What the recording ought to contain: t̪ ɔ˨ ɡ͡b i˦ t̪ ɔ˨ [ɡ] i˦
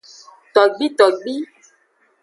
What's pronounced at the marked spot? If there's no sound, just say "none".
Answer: ɡ͡b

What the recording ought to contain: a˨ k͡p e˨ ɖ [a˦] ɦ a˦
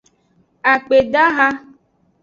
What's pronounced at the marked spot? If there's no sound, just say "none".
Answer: a˦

